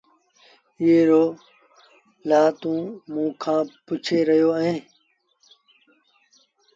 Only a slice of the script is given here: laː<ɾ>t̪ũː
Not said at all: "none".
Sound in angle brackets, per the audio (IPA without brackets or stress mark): none